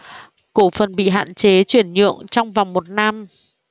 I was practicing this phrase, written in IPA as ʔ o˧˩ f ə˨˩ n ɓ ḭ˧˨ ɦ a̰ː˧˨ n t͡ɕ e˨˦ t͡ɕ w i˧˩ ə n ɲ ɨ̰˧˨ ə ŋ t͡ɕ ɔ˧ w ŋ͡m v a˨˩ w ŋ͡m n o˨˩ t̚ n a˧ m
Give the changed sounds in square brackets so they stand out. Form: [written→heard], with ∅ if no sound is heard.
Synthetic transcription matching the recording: [ʔ→k] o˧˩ f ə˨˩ n ɓ ḭ˧˨ ɦ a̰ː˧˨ n t͡ɕ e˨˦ t͡ɕ w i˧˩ ə n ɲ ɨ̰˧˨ ə ŋ t͡ɕ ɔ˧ w ŋ͡m v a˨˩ w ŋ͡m [n→m] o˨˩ t̚ n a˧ m